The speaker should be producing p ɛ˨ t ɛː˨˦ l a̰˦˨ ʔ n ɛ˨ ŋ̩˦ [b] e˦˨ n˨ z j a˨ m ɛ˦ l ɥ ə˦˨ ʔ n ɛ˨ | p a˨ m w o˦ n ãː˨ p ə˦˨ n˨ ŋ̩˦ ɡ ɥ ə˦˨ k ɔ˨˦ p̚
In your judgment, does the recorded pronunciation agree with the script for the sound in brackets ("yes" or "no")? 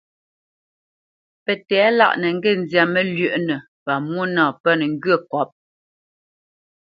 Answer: no